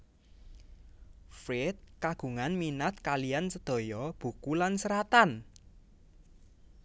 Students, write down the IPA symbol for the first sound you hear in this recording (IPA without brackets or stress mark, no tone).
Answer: f